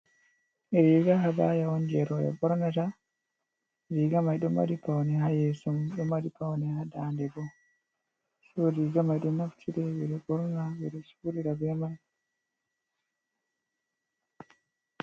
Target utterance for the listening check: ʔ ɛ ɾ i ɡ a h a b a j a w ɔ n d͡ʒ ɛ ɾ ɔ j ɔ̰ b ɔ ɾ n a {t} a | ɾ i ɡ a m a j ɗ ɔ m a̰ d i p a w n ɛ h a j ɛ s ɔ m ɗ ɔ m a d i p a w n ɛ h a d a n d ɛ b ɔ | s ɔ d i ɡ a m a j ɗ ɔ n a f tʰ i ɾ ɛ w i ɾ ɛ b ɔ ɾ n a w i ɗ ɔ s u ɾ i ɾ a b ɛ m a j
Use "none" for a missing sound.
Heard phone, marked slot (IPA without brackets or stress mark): t